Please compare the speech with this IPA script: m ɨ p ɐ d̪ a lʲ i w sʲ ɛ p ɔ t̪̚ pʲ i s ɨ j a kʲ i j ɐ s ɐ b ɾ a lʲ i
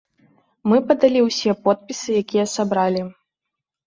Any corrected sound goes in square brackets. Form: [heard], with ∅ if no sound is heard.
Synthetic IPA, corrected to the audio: m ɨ p ɐ d̪ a lʲ i w sʲ ɛ p ɔ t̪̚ pʲ i s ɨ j a kʲ i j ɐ s [a] b ɾ a lʲ i

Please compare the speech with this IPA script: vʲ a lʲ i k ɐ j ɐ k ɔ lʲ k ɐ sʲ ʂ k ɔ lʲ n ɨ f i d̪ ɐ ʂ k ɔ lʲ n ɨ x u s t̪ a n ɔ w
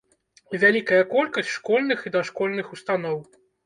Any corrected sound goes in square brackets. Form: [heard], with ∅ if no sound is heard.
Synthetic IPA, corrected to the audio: vʲ a lʲ i k ɐ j ɐ k ɔ lʲ k ɐ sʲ ʂ k ɔ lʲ n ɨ [x] i d̪ ɐ ʂ k ɔ lʲ n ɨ x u s t̪ a n ɔ w

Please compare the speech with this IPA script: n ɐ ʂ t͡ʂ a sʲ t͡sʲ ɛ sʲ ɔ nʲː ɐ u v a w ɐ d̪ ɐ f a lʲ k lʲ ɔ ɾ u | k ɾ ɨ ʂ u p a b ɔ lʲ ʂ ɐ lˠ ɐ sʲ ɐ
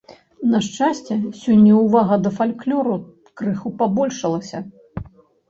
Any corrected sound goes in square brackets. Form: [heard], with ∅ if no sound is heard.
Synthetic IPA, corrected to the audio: n ɐ ʂ t͡ʂ a sʲ t͡sʲ ɛ sʲ ɔ nʲː ɐ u v a [ɣ] ɐ d̪ ɐ f a lʲ k lʲ ɔ ɾ u | k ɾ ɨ [x] u p a b ɔ lʲ ʂ ɐ lˠ ɐ sʲ ɐ

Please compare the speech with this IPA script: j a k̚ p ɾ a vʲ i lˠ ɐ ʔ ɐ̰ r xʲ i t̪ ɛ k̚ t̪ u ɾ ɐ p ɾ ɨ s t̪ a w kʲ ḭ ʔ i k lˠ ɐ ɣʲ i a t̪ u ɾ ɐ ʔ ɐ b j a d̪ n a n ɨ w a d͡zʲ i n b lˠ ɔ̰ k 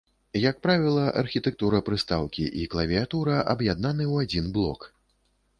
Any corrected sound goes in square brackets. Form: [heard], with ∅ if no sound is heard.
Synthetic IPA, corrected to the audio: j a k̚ p ɾ a vʲ i lˠ ɐ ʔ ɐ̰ r xʲ i t̪ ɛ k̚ t̪ u ɾ ɐ p ɾ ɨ s t̪ a w kʲ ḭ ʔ i k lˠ ɐ [vʲ] i a t̪ u ɾ ɐ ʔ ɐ b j a d̪ n a n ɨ w a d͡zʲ i n b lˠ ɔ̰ k

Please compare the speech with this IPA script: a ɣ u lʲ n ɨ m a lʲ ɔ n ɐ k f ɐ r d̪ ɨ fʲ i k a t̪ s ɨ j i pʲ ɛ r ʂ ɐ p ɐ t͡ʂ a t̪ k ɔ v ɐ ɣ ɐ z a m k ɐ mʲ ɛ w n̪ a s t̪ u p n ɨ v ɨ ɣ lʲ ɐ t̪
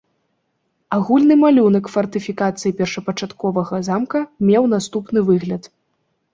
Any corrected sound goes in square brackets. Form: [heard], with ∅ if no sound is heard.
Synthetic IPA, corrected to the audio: a ɣ u lʲ n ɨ m a lʲ [u] n ɐ k f ɐ r [t̪] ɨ fʲ i k a t̪ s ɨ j i pʲ ɛ r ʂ ɐ p ɐ t͡ʂ a t̪ k ɔ v ɐ ɣ ɐ z a m k ɐ mʲ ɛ w n̪ a s t̪ u p n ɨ v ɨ ɣ lʲ ɐ t̪

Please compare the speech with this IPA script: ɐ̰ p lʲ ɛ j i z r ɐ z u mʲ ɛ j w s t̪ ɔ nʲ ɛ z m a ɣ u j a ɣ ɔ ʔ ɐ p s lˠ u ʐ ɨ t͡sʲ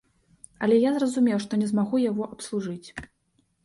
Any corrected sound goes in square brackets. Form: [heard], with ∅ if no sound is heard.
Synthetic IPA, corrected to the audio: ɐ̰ [∅] lʲ ɛ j [a] z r ɐ z u mʲ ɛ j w [ʂ] t̪ ɔ nʲ ɛ z m a ɣ u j a ɣ ɔ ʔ ɐ p s lˠ u ʐ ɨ t͡sʲ

